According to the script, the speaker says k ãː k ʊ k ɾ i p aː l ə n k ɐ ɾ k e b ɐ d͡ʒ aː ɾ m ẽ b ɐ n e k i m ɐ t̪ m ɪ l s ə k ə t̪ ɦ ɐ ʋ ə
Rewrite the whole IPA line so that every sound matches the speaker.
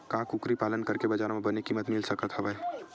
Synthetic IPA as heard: k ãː k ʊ k ɾ i p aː l ə n k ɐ ɾ k e b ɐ d͡ʒ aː ɾ m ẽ b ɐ n e k i m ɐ t̪ m ɪ l s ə k ə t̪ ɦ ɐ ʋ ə